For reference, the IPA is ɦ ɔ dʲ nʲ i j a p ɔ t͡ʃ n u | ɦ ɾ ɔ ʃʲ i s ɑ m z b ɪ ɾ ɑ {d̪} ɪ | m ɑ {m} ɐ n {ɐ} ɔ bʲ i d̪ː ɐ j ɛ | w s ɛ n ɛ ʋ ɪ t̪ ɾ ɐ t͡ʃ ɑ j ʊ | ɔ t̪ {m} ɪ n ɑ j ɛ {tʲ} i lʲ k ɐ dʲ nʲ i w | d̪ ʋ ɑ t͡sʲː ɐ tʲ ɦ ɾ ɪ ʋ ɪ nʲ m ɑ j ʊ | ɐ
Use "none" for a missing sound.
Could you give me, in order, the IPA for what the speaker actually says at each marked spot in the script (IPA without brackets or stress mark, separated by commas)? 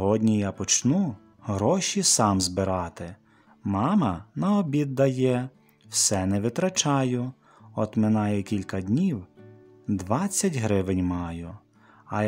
t̪, m, ɐ, m, kʲ